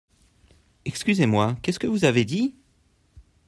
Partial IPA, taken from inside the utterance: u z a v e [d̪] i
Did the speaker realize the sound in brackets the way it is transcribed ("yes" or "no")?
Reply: yes